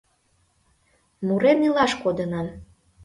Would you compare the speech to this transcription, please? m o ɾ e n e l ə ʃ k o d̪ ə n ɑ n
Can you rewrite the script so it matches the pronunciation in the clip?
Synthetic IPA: m u ɾ e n i l ɑ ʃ k o d̪ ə n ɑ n

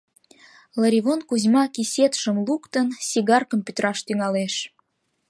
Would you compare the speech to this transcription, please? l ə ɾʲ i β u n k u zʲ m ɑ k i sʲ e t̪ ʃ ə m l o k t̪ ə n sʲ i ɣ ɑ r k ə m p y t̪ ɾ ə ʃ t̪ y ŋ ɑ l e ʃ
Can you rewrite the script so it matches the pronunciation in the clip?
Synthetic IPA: l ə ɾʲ i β o n k u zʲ m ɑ k i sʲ e t̪ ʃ ə m l u k t̪ ə n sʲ i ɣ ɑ r k ə m p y t̪ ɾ ɑ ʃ t̪ y ŋ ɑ l e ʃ

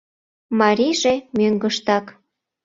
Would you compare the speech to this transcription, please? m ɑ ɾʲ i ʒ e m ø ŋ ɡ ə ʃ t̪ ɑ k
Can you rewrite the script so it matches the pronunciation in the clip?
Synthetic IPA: m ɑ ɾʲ i ʒ e m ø ŋ ɡ ə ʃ t̪ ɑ k

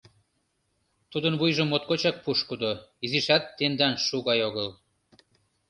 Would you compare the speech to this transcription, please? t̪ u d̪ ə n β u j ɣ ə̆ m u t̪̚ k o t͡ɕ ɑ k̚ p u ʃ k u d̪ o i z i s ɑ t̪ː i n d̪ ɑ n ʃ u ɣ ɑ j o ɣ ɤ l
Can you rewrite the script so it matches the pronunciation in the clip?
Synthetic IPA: t̪ u d̪ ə n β u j ʒ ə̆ m o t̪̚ k o t͡ɕ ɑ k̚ p u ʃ k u d̪ o i z i ʃ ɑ t̪ː e n d̪ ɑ n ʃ u ɣ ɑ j o ɣ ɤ l

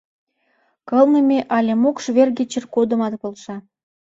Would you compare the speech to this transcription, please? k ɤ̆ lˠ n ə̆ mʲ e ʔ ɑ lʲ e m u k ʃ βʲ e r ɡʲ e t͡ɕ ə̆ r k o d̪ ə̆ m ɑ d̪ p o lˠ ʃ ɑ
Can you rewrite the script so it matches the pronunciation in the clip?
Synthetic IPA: k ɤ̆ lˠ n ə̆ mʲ e ʔ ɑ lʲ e m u k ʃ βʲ e r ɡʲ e t͡ɕ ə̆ r k o d̪ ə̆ m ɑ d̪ p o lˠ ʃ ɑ

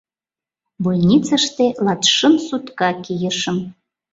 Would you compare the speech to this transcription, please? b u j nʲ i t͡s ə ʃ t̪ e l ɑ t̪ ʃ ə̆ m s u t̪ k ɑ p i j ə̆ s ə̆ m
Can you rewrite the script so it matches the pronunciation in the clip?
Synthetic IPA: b u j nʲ i t͡s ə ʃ t̪ e l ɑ t̪ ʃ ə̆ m s u t̪ k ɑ k i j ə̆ ʃ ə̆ m

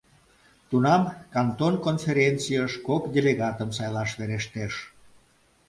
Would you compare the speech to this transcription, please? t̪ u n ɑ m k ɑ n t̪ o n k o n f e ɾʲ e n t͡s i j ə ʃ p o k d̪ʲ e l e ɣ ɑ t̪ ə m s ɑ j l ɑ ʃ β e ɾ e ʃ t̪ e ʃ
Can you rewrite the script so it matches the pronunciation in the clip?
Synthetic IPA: t̪ u n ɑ m k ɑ n t̪ o n k o n f e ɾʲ e n t͡s i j ə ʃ k o k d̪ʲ e l e ɣ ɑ t̪ ə m s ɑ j l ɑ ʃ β e ɾ e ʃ t̪ e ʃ

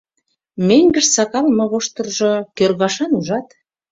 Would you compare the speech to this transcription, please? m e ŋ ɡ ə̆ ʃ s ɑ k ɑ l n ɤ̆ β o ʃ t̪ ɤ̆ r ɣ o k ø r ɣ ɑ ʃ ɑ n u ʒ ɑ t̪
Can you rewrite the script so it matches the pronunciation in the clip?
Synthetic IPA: m e ŋ ɡ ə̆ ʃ s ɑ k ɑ l m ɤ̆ β o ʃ t̪ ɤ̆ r ʒ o k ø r ɣ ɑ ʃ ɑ n u ʒ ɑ t̪

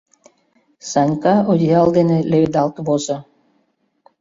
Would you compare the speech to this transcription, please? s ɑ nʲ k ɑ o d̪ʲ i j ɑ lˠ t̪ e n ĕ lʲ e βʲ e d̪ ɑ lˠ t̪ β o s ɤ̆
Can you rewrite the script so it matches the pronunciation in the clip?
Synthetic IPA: s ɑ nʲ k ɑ o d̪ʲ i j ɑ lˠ d̪ e n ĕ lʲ e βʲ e d̪ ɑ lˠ t̪ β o z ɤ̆

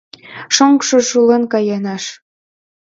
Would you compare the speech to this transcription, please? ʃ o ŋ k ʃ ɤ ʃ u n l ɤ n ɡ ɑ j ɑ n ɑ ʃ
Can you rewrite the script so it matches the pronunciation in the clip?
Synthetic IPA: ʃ o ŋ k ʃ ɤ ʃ u l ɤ n k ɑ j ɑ n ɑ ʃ

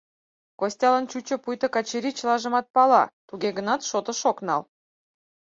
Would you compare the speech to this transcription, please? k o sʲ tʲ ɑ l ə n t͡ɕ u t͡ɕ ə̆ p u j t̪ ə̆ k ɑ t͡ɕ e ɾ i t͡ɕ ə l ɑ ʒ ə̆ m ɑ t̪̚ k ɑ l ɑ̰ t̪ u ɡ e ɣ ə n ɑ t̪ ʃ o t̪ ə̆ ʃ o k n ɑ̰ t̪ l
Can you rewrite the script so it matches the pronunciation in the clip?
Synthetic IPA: k o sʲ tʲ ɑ l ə n t͡ɕ u t͡ɕ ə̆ p u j t̪ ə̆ k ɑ t͡ɕ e ɾ i t͡ɕ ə l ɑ ʒ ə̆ m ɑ t̪̚ p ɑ l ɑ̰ t̪ u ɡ e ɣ ə n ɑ t̪ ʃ o t̪ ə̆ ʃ o k n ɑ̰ l

